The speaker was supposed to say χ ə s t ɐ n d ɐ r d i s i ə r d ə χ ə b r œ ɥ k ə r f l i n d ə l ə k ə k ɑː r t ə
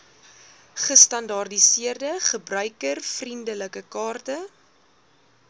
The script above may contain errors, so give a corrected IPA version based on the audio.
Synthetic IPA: χ ə s t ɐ n d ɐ r d i s i ə r d ə χ ə b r œ ɥ k ə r f r i n d ə l ə k ə k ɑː r t ə